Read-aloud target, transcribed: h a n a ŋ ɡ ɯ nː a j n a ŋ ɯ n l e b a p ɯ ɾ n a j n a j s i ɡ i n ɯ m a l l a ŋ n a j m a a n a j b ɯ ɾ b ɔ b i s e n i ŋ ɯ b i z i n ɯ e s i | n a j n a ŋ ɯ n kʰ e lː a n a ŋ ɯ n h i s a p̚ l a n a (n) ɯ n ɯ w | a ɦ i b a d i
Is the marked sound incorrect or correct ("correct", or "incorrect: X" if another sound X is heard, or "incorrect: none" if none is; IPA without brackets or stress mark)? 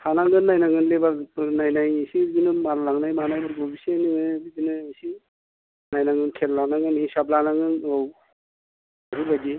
incorrect: ŋ